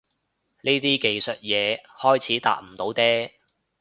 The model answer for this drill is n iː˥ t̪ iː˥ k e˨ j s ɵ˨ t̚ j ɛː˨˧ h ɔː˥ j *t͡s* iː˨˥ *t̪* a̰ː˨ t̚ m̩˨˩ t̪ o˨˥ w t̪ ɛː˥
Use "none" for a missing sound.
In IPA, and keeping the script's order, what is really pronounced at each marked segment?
t͡sʰ, t̪

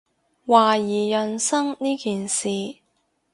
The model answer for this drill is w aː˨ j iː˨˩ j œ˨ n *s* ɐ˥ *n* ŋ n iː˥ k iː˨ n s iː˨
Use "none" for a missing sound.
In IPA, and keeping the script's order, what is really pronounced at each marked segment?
s, none

